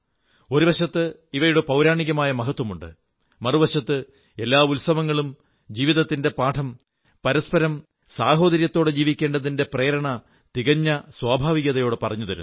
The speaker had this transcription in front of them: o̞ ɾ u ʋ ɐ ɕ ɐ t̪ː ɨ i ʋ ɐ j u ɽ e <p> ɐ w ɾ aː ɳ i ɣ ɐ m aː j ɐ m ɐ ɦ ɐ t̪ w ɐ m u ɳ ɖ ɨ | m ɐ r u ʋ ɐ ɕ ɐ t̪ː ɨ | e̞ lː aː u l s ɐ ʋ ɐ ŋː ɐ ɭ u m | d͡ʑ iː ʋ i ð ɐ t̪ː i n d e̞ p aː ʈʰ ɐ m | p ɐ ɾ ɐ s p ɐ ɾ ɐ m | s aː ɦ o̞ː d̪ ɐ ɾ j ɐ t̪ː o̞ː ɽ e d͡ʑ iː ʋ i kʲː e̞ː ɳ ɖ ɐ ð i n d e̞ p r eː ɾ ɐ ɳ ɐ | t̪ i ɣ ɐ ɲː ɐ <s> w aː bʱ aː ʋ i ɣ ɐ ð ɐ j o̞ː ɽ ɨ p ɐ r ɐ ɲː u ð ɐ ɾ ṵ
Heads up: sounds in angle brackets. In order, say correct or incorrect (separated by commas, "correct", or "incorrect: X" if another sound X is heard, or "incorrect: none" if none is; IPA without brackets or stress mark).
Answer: correct, correct